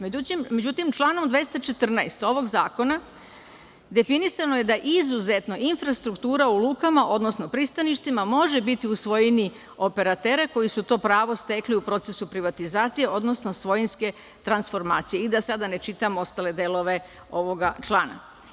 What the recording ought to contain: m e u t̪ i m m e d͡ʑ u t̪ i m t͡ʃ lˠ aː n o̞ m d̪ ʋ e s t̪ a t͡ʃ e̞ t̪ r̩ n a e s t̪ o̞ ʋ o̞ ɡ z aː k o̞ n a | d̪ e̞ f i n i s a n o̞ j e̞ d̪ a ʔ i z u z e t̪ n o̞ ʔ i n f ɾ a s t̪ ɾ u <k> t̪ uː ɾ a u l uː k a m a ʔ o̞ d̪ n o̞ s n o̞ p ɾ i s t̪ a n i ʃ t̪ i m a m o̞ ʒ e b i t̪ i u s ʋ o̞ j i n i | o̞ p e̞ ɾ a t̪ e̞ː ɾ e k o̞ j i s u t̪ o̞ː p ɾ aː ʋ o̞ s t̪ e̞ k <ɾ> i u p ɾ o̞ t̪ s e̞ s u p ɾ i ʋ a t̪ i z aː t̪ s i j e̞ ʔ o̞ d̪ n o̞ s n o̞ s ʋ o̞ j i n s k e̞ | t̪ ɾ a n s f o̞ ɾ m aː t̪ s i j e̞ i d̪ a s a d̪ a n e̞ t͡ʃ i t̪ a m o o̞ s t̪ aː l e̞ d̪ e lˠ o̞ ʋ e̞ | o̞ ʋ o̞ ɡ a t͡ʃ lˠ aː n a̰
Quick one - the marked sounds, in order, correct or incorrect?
correct, incorrect: l

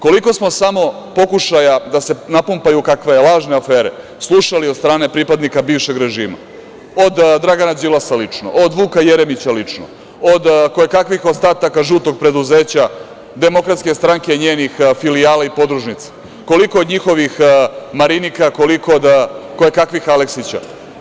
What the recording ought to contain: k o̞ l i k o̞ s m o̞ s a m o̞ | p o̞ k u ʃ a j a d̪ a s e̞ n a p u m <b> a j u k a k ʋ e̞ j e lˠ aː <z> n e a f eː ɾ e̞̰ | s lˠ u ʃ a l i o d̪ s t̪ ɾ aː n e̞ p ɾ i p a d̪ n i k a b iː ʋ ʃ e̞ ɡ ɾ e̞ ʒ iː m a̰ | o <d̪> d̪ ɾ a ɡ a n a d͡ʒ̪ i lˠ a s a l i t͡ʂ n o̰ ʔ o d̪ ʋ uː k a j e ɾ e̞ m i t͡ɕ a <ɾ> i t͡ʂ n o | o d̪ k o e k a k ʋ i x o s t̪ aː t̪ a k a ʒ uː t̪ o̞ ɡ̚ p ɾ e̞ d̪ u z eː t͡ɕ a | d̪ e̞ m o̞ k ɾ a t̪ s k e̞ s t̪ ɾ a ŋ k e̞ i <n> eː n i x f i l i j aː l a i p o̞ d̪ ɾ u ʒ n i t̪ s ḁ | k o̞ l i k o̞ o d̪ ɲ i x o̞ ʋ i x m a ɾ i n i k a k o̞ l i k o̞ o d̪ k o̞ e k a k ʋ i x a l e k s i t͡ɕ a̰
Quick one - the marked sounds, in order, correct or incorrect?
incorrect: p, incorrect: ʒ, correct, incorrect: l, incorrect: ɲ

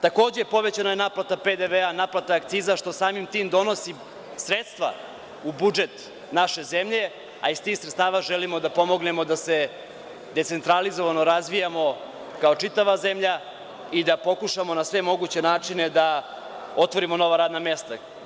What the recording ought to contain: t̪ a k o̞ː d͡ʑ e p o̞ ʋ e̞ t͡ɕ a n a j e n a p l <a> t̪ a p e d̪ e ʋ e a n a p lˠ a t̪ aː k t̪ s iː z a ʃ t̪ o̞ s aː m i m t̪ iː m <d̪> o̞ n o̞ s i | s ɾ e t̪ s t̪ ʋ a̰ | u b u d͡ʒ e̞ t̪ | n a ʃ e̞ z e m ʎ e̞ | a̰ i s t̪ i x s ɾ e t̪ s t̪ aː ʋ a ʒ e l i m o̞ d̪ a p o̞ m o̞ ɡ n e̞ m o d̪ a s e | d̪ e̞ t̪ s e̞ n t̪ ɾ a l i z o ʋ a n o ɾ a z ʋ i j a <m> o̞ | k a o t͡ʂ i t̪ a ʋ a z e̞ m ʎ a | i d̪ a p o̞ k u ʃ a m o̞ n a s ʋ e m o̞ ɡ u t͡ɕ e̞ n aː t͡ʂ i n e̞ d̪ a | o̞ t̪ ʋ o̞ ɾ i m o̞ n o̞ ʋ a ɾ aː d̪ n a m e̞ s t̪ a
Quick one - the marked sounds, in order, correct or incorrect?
correct, correct, correct

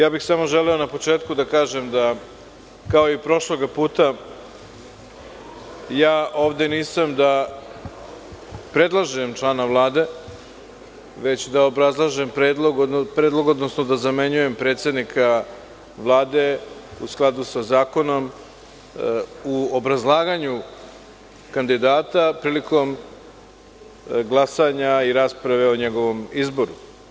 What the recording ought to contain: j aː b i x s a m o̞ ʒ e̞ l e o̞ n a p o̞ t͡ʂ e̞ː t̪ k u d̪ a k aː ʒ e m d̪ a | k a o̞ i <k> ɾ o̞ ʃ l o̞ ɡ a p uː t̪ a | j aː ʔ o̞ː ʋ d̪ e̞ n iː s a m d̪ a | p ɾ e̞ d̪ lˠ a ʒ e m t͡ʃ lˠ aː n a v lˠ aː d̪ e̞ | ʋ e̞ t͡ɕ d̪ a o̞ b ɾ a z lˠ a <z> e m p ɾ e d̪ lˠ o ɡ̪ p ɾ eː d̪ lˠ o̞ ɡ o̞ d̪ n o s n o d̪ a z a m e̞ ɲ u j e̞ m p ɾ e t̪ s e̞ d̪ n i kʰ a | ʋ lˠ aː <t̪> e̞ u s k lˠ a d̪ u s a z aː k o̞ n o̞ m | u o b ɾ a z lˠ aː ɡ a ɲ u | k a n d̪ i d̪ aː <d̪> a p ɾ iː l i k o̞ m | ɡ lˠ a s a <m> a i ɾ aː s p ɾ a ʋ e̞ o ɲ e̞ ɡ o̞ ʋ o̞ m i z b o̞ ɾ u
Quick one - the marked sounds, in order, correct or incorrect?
incorrect: p, incorrect: ʒ, incorrect: d̪, incorrect: t̪, incorrect: ɲ

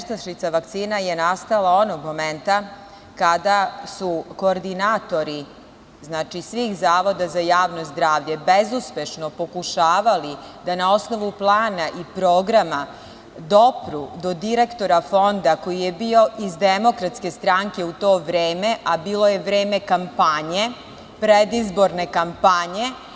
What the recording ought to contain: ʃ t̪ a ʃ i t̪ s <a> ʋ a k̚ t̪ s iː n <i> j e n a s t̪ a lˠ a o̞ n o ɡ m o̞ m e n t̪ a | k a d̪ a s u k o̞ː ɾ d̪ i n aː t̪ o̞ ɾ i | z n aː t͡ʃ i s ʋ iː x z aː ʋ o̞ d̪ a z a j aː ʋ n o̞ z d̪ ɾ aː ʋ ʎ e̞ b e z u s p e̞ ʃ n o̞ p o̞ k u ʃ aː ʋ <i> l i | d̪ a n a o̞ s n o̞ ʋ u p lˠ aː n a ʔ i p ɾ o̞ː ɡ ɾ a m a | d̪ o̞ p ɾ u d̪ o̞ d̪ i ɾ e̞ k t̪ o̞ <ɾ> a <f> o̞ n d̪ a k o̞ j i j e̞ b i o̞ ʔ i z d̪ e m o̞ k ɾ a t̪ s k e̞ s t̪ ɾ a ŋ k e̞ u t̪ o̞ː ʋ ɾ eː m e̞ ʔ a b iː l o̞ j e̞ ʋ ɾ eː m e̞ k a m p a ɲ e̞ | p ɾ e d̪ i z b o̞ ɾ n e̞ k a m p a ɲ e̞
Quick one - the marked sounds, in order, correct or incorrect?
correct, incorrect: a, incorrect: a, correct, correct

